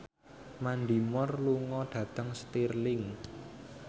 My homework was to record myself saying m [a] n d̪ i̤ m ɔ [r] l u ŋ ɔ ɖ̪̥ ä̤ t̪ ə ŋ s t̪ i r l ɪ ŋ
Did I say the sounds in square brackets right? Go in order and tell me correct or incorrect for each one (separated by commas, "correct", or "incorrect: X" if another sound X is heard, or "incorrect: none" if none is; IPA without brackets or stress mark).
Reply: correct, correct